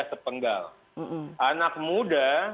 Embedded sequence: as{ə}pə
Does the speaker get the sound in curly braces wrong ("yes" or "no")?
no